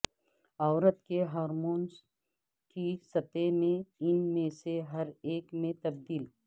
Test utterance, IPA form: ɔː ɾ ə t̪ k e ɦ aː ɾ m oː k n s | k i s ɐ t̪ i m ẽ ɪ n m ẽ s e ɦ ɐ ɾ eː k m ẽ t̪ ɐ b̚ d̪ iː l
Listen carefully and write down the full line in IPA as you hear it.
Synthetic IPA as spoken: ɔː ɾ ə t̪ k e ɦ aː ɾ m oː n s | k i s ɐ t̪ e m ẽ ɪ n m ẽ s e ɦ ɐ ɾ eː k m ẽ t̪ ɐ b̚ d̪ iː l